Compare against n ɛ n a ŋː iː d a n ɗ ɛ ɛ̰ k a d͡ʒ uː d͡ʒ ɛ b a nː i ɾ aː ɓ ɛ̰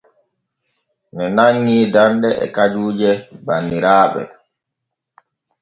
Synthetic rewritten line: n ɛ n a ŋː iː d a n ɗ ɛ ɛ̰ k a d͡ʒ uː d͡ʒ ɛ b a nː i ɾ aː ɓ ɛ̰